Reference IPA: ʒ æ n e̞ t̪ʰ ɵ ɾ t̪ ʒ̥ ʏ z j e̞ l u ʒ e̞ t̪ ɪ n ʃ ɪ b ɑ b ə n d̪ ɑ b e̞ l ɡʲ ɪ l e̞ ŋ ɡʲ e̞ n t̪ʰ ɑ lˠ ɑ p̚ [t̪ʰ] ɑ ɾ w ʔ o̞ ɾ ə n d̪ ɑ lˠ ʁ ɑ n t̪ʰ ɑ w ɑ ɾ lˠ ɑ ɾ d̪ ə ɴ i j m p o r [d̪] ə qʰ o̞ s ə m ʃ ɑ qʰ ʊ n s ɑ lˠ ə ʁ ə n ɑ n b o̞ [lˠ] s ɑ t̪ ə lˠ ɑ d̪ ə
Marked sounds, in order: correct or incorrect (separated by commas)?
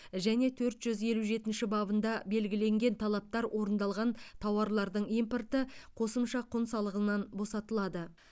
incorrect, incorrect, incorrect